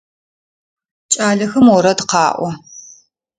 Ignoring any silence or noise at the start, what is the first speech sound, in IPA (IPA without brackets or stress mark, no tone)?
t͡ʃʼ